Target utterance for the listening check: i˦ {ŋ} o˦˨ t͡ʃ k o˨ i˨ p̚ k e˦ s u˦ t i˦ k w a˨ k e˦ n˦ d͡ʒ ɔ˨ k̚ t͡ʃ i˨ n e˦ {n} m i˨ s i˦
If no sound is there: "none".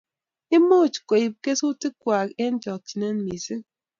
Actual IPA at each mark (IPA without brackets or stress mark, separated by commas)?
m, n